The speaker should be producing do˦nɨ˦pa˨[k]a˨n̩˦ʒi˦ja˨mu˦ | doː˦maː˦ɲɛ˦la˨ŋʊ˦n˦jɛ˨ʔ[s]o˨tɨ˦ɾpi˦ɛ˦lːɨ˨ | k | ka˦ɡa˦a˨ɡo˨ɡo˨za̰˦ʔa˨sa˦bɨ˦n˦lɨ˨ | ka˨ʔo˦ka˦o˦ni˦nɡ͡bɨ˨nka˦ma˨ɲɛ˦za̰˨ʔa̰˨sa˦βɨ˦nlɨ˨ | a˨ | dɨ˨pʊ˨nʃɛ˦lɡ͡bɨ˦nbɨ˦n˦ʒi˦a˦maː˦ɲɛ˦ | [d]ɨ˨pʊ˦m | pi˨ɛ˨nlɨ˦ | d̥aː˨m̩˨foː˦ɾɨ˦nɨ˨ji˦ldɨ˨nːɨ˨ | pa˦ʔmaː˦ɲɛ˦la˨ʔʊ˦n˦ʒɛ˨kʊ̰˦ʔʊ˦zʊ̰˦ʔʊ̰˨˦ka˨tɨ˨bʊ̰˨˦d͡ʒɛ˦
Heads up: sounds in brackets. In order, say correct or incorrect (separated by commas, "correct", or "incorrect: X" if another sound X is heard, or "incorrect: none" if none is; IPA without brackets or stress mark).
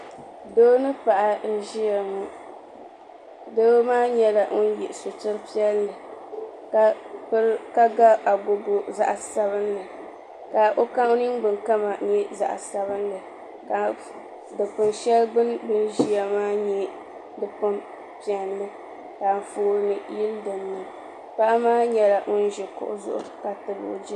incorrect: ʔ, correct, correct